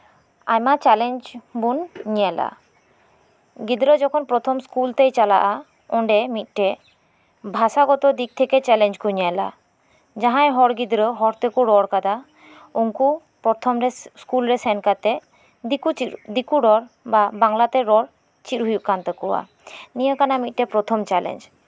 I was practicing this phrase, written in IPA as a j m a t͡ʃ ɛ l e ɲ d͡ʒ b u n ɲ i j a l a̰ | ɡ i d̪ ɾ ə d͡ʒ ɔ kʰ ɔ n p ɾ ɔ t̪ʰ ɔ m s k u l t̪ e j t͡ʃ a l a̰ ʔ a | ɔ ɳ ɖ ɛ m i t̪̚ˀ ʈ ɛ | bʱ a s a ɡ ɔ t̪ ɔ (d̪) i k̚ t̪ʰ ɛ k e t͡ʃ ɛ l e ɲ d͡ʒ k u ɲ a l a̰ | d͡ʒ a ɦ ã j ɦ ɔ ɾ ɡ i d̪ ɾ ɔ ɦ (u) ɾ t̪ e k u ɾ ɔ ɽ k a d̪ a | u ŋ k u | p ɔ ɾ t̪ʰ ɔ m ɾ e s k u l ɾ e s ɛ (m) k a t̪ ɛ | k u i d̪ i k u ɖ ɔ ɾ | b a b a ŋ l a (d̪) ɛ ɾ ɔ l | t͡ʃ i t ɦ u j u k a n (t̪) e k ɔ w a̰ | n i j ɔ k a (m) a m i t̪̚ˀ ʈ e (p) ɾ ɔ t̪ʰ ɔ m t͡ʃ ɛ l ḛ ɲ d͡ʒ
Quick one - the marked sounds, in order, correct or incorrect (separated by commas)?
correct, incorrect, incorrect, incorrect, correct, incorrect, correct